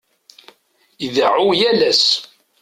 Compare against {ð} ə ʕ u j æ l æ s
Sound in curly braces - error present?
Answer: no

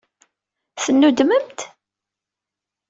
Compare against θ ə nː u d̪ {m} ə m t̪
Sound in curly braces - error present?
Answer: no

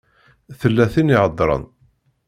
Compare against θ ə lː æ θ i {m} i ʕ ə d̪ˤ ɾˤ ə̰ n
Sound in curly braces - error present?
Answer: yes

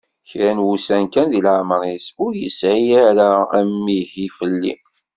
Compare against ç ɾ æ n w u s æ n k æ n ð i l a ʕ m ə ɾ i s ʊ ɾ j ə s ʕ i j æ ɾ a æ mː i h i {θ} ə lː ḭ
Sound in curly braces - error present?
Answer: yes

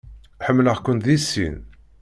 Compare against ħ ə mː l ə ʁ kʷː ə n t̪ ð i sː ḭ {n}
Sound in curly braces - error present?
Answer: no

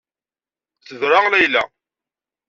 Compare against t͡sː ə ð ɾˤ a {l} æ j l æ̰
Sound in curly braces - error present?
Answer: no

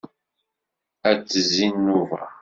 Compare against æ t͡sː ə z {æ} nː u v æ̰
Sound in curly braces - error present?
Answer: yes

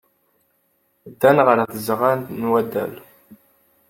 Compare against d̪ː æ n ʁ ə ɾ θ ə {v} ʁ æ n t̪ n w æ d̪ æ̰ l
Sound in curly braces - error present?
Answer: yes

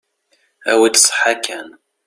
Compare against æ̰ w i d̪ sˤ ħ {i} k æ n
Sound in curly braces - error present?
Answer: yes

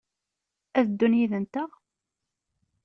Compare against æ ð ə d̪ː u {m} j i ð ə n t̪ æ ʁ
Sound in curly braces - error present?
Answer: yes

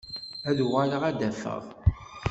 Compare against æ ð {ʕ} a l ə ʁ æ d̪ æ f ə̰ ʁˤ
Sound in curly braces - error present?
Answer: yes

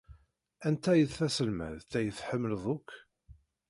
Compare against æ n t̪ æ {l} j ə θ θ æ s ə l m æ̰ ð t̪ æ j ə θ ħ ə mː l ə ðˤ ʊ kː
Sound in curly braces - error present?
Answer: yes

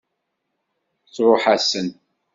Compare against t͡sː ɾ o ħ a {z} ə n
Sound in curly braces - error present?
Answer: yes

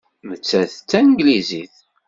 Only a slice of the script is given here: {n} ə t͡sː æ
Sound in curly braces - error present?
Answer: yes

